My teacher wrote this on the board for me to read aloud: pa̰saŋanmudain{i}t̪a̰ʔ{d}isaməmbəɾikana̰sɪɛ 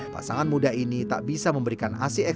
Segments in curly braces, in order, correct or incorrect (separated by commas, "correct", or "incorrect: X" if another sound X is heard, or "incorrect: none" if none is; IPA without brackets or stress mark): correct, incorrect: b